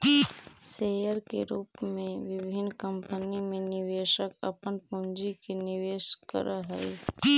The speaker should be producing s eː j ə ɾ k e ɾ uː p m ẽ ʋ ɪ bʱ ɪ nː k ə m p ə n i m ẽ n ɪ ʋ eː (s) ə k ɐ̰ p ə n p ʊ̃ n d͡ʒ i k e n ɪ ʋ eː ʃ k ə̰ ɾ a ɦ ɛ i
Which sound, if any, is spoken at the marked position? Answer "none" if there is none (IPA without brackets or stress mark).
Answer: ʃ